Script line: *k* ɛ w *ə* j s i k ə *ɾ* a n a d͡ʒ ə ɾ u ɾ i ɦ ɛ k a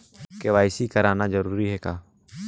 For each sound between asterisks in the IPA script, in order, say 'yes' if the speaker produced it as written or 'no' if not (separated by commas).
yes, no, yes